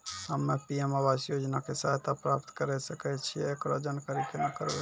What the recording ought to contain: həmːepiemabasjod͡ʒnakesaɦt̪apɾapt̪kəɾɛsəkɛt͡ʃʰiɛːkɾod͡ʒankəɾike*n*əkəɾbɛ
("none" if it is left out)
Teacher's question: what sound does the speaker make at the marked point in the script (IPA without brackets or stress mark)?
n